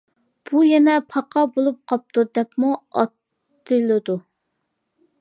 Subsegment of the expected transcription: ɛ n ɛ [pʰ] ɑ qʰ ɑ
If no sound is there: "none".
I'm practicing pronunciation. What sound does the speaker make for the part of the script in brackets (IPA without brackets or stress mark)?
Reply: pʰ